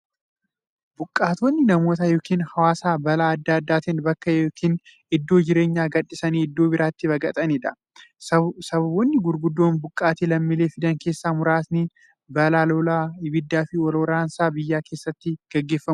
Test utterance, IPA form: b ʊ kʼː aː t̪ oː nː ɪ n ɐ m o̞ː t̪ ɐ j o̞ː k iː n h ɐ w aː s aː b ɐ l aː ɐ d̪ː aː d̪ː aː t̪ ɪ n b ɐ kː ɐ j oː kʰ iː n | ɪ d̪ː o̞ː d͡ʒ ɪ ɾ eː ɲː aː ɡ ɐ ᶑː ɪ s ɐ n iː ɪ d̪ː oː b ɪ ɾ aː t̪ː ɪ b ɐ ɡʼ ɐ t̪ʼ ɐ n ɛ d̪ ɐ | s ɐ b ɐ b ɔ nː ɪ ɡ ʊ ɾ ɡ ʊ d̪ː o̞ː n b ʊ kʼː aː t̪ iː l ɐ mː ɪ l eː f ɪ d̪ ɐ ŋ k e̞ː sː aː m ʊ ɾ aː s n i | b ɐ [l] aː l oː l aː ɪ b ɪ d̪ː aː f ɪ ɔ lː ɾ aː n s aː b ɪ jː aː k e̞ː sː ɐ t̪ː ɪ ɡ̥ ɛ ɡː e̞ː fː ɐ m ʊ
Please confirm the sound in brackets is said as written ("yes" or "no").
yes